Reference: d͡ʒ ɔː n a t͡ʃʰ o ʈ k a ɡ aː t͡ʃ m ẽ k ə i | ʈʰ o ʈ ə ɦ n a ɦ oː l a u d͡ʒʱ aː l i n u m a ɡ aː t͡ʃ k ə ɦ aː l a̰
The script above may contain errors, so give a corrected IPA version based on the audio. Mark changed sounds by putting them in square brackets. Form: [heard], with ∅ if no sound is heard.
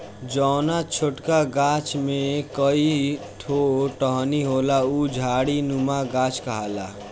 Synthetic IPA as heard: d͡ʒ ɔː n a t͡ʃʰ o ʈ k a ɡ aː t͡ʃ m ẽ k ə i | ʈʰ o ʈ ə ɦ n [i] ɦ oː l a u d͡ʒʱ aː [ɽ] i n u m a ɡ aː t͡ʃ k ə ɦ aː l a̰